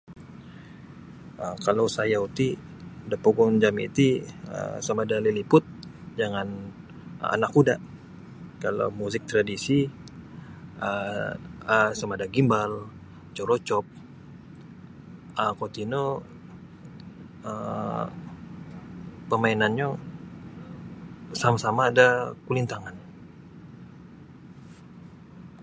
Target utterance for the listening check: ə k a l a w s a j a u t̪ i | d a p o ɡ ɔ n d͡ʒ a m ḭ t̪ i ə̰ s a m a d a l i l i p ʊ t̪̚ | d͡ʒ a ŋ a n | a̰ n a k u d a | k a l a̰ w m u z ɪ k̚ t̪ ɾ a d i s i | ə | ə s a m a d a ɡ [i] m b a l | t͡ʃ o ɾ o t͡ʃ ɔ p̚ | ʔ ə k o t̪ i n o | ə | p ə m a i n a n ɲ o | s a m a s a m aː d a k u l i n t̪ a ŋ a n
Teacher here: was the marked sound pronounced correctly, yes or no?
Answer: yes